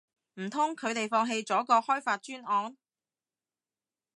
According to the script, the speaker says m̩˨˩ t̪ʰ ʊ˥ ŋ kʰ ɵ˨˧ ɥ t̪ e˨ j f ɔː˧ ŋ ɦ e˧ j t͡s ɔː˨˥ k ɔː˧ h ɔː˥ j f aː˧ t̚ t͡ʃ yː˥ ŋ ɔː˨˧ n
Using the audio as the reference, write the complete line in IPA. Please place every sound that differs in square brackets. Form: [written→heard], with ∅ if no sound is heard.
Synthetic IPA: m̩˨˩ t̪ʰ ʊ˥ ŋ kʰ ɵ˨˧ ɥ t̪ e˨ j f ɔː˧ ŋ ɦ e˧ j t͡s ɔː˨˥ k ɔː˧ h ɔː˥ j f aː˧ t̚ t͡ʃ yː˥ [ŋ→n] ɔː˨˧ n